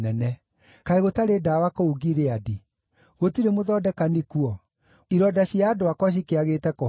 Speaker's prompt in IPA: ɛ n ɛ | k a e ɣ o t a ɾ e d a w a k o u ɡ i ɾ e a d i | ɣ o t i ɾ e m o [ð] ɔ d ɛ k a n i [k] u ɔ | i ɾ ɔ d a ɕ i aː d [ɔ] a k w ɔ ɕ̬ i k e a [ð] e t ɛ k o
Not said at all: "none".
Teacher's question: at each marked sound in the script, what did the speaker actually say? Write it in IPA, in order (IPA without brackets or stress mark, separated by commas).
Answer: ð, k, o, ɣ